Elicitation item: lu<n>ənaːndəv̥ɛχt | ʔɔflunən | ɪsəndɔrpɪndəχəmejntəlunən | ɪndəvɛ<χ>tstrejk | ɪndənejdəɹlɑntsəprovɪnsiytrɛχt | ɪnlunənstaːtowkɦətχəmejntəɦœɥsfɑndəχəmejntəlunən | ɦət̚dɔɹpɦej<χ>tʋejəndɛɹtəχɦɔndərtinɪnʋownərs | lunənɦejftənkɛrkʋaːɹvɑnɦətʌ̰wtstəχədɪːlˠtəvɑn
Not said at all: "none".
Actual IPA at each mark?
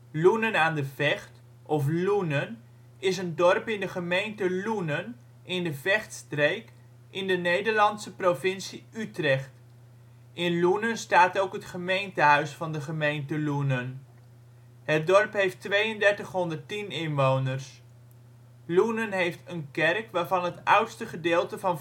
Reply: n, χ, f

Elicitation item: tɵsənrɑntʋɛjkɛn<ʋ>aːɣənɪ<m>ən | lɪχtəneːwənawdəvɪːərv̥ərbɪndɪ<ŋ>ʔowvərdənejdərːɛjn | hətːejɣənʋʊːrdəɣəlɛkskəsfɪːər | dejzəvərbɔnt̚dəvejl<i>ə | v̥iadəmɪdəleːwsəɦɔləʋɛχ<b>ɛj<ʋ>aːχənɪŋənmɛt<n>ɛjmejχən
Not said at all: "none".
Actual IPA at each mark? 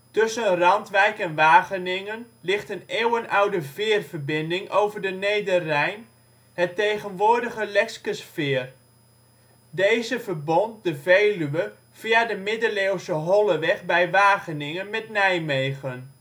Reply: ʋ, ŋ, ŋ, y, b, ʋ, n

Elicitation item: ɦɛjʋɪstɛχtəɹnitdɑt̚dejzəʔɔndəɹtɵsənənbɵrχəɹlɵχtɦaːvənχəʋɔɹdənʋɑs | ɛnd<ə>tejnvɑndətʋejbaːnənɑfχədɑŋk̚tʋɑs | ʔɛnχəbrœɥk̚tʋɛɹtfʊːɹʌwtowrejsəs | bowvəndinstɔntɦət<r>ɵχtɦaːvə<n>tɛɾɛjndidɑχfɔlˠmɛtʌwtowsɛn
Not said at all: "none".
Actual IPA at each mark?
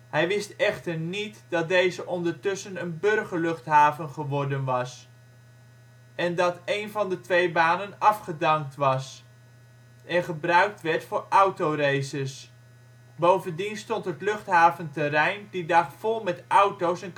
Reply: ɑ, l, n

